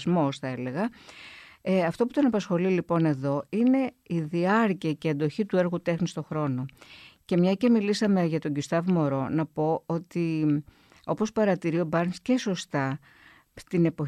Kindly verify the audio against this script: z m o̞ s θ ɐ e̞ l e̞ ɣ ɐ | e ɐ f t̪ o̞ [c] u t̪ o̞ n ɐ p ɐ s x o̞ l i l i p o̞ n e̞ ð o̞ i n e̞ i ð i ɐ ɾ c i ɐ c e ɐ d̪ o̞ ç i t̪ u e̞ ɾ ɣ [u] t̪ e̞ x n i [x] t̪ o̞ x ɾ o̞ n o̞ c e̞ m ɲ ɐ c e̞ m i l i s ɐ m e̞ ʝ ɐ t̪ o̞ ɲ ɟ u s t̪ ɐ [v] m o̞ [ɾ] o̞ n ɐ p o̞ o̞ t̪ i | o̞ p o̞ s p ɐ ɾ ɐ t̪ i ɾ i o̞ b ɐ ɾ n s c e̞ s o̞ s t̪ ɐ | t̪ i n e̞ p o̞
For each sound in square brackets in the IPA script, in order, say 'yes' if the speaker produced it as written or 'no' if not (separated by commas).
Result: no, yes, no, yes, yes